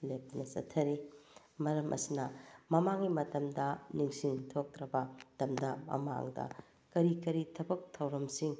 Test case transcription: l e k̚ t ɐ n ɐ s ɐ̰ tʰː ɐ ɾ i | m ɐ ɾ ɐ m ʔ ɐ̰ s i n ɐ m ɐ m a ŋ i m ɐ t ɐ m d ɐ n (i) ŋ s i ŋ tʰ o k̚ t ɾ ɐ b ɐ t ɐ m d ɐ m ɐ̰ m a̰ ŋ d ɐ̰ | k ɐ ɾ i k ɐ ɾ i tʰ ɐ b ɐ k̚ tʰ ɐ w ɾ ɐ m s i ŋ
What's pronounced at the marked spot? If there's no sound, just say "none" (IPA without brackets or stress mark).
i